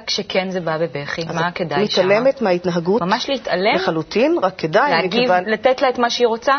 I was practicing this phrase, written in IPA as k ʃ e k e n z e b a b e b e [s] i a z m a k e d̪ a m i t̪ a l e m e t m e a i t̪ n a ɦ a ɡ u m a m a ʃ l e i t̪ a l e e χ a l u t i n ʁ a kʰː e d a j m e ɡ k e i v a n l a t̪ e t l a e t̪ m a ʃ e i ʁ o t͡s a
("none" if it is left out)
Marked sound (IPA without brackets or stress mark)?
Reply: χ